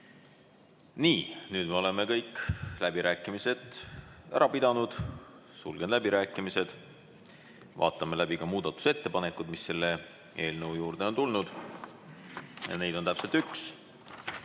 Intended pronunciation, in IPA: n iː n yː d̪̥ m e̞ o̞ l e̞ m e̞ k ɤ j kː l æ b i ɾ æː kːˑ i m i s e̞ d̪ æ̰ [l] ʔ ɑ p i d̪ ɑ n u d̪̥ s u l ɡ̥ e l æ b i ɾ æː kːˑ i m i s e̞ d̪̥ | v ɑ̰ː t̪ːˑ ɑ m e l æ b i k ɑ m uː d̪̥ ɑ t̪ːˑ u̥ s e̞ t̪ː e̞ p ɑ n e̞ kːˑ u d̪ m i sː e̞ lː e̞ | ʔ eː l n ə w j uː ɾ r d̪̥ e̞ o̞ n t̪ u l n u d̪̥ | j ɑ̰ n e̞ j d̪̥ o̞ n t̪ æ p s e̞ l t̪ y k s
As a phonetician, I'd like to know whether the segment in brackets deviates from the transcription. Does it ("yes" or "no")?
yes